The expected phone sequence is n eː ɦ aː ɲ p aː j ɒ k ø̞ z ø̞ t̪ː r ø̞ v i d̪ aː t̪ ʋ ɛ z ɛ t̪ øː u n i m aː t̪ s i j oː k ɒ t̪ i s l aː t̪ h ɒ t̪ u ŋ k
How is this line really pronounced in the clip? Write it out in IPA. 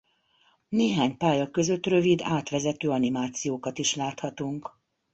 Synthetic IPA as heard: n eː ɦ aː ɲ p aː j ɒ k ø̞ z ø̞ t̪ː r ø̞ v i d̪ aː t̪ ʋ ɛ z ɛ t̪ øː ɒ n i m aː t̪ s i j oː k ɒ t̪ i ʃ l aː t̪ h ɒ t̪ u ŋ k